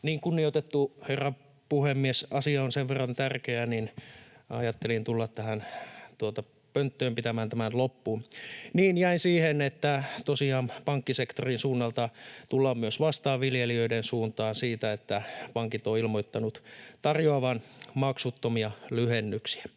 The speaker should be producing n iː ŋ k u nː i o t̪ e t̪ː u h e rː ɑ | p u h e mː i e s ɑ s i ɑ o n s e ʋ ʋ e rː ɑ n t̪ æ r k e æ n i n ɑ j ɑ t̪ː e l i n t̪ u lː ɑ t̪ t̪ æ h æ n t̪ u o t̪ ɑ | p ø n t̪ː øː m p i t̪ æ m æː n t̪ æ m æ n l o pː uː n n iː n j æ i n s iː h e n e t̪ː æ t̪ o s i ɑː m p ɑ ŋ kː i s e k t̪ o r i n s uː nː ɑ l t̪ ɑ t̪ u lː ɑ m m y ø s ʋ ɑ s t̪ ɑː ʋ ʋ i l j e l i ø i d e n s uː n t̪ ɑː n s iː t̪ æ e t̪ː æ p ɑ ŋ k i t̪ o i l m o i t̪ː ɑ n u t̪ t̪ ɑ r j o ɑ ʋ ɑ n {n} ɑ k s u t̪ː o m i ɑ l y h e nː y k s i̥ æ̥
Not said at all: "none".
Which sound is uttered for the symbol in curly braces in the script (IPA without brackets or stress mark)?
m